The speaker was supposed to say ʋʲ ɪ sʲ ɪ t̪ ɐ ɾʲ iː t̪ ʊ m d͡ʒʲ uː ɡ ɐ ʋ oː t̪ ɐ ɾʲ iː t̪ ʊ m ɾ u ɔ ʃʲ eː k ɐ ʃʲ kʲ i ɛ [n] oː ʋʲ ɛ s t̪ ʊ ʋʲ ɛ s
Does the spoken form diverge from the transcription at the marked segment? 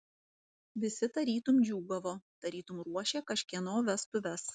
no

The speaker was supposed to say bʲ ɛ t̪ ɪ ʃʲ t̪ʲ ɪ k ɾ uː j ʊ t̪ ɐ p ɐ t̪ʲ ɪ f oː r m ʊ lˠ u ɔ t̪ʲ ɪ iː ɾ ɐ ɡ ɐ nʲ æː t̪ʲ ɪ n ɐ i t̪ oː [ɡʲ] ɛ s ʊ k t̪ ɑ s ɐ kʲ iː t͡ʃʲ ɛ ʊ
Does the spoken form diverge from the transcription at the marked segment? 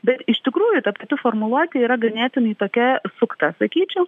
yes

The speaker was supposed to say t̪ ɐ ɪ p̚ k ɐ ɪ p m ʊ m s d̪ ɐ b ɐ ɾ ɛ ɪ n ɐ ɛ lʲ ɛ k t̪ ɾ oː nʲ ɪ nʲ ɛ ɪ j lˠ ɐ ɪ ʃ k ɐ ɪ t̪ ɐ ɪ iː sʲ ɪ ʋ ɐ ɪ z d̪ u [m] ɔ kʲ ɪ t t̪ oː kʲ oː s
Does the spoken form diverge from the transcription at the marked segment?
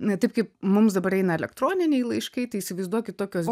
yes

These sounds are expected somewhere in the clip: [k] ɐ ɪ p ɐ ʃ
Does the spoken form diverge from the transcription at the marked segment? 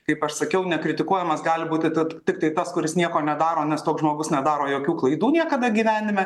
no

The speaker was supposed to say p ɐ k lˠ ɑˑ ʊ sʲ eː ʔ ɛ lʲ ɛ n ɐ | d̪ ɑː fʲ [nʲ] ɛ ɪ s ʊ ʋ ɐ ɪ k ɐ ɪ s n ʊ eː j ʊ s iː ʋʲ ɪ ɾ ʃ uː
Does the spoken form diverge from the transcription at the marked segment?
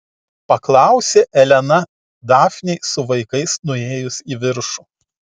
no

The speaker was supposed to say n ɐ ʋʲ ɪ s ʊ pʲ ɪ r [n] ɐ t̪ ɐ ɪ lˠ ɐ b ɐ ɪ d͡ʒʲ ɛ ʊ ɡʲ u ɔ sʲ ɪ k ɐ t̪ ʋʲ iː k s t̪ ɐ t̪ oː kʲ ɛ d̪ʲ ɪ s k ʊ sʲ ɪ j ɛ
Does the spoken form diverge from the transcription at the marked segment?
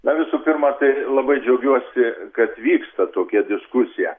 yes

